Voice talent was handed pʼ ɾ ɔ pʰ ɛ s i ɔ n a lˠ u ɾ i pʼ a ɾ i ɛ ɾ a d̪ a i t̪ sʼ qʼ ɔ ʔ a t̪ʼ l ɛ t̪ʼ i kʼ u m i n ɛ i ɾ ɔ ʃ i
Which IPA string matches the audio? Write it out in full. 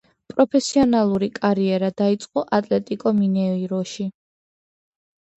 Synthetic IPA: pʼ ɾ ɔ pʰ ɛ s i ɔ n a lˠ u ɾ i kʼ a ɾ i ɛ ɾ a d̪ a i t̪ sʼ qʼ ɔ ʔ a t̪ʼ l ɛ t̪ʼ i kʼ ɔ m i n ɛ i ɾ ɔ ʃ i